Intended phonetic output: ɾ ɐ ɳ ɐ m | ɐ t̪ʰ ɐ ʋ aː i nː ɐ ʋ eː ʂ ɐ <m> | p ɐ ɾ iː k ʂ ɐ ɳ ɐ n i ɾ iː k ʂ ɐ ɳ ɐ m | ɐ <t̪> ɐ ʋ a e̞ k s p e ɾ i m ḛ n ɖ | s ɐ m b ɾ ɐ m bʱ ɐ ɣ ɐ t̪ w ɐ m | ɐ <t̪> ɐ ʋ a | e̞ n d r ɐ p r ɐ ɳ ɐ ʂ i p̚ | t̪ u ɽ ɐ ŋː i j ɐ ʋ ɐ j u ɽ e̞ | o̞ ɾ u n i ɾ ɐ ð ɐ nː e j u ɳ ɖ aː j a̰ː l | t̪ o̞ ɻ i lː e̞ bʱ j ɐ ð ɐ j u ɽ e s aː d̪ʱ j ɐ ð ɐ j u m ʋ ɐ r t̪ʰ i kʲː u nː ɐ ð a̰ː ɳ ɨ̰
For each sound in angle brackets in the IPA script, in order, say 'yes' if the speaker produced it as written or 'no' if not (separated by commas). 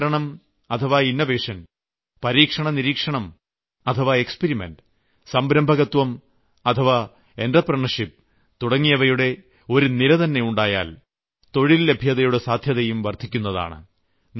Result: no, no, no